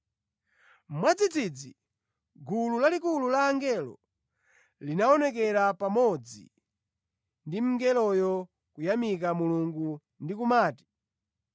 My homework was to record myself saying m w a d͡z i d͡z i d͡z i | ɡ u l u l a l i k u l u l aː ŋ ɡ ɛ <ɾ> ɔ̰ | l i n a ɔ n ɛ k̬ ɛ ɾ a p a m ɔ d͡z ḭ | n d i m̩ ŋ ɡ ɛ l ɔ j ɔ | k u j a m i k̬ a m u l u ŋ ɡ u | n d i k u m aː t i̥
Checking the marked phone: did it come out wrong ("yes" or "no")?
yes